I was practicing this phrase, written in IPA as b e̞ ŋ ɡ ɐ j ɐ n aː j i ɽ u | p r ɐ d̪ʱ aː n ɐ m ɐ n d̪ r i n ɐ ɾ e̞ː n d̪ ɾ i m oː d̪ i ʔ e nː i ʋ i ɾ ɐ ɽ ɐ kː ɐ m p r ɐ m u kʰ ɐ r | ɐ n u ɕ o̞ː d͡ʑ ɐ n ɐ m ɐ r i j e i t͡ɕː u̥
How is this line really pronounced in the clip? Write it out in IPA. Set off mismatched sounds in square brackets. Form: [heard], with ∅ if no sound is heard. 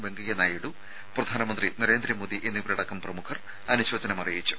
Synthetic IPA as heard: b e̞ ŋ ɡ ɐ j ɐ n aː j i ɽ u | p r ɐ d̪ʱ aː n ɐ m ɐ n d̪ r i n ɐ ɾ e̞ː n d̪ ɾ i m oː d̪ i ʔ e nː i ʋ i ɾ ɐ ɽ ɐ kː ɐ m p r ɐ m u kʰ ɐ r | ɐ n u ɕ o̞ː d͡ʑ ɐ n ɐ m ɐ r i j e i t͡ɕː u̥